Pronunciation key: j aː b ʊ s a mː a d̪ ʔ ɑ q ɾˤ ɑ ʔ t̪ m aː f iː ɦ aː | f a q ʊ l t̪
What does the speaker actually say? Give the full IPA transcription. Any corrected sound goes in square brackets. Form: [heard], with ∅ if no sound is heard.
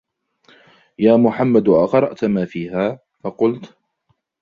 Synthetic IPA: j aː [m] ʊ [ħ] a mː a d̪ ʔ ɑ q ɾˤ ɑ ʔ t̪ m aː f iː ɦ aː | f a q ʊ l t̪

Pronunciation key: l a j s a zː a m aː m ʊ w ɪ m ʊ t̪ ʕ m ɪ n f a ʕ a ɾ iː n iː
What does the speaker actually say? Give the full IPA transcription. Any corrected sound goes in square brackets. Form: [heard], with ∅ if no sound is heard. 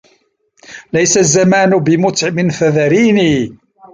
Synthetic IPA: l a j s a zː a m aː [n] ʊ [b] ɪ m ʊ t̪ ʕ m ɪ n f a [ð] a ɾ iː n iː

